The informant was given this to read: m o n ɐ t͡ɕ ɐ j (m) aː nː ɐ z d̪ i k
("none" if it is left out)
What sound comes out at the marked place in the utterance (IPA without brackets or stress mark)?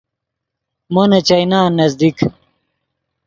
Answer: n